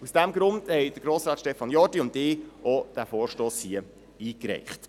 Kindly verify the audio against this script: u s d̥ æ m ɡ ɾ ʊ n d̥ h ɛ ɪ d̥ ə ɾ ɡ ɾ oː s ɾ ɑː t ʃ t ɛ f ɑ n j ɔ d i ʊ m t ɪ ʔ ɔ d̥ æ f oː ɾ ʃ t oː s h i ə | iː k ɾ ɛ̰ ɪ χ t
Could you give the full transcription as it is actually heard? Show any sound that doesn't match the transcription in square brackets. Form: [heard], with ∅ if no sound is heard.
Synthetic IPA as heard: u s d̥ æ m ɡ ɾ ʊ n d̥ h ɛ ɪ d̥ ə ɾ ɡ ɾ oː s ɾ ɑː t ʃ t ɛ f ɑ n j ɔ d i ʊ [n] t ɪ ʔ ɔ d̥ æ f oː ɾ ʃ t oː s h i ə | iː k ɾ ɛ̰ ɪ χ t